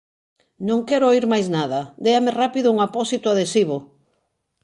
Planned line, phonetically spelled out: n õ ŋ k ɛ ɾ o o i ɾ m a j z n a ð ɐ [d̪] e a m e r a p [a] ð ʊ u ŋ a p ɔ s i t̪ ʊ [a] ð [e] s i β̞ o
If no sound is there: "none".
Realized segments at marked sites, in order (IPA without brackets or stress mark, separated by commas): d̪, i, a, e